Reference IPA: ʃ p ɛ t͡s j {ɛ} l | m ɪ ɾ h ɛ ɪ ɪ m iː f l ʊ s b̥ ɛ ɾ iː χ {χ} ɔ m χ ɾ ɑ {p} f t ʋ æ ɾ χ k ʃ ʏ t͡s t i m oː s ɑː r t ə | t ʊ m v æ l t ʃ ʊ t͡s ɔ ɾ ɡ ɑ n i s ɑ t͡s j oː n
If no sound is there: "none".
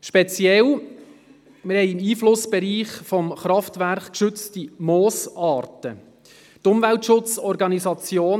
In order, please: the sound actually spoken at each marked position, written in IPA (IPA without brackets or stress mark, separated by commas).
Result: ɛ, f, none